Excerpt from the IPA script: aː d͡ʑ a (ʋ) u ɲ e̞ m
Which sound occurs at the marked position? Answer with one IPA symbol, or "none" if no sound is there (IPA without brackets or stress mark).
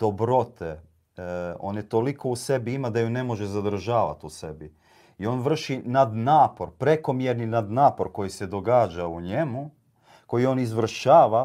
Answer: none